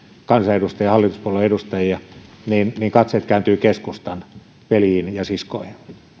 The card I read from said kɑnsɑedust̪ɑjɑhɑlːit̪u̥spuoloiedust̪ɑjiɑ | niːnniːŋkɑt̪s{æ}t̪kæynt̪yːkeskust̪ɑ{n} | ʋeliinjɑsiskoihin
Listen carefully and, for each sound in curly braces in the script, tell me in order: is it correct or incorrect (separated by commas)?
incorrect, correct